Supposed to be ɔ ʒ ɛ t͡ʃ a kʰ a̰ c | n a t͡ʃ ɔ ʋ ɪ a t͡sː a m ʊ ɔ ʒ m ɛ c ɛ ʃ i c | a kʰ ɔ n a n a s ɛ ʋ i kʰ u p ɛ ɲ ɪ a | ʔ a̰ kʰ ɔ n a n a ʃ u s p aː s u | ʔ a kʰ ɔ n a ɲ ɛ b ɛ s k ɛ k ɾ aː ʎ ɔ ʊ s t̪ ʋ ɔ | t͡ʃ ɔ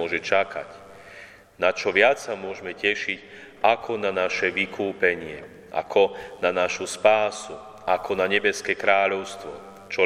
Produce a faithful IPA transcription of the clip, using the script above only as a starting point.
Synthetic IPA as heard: ɔ ʒ ɛ t͡ʃ a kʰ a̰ c | n a t͡ʃ ɔ ʋ ɪ a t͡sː a m ʊ ɔ ʒ m ɛ c ɛ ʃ i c | a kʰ ɔ n a n a ʃ ɛ ʋ i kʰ uː p ɛ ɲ ɪ ɛ | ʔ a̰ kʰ ɔ n a n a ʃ u s p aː s u | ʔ a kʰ ɔ n a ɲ ɛ b ɛ s k ɛ k ɾ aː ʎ ɔ ʊ s t̪ ʋ ɔ | t͡ʃ ɔ